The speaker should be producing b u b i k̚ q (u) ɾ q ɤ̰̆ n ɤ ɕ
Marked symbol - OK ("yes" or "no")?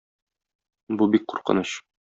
yes